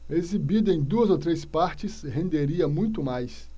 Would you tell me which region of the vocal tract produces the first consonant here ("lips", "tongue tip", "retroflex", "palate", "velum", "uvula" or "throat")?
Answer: tongue tip